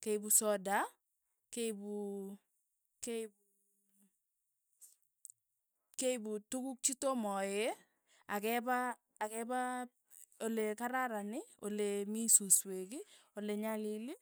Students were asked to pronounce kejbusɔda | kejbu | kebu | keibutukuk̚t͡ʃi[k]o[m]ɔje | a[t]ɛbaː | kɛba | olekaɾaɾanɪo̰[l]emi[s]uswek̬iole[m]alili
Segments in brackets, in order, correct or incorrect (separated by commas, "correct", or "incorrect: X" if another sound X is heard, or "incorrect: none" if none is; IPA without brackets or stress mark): incorrect: t, correct, incorrect: k, correct, correct, incorrect: ɲ